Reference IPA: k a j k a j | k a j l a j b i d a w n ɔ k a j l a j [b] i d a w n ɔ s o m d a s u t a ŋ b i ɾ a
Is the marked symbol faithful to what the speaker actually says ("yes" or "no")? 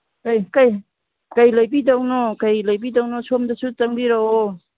yes